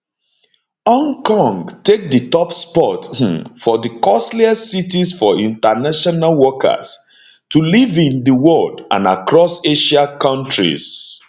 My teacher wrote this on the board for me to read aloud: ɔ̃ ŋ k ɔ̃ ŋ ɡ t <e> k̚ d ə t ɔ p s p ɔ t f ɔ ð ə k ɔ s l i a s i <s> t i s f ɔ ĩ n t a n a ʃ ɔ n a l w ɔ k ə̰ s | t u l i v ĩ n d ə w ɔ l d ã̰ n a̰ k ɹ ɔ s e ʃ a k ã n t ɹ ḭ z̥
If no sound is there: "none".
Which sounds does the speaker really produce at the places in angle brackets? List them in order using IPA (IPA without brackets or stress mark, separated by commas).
e, none